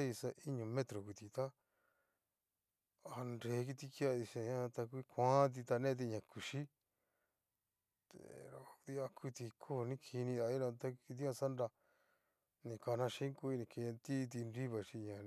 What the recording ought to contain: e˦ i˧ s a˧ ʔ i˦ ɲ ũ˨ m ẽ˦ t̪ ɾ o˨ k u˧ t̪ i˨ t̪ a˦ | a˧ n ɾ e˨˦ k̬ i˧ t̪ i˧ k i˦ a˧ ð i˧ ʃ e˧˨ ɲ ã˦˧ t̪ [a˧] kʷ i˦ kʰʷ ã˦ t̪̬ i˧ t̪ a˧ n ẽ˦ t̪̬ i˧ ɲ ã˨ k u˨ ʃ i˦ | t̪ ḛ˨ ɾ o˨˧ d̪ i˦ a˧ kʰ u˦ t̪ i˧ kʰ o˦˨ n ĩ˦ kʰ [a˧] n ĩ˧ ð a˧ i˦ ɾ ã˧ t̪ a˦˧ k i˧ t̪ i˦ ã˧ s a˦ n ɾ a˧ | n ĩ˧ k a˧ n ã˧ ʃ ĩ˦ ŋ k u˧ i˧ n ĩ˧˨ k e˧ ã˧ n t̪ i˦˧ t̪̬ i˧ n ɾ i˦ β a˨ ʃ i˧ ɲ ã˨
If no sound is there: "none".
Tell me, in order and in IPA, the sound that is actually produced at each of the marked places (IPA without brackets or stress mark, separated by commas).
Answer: a˧, i˧